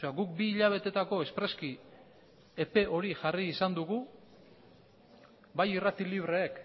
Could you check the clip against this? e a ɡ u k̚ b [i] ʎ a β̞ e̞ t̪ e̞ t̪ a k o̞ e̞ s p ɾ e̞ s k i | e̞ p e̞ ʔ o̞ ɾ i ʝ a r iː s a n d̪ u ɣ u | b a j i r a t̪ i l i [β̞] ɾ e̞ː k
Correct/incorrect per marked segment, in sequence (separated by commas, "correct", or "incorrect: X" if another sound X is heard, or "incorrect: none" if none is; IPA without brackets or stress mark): incorrect: iː, correct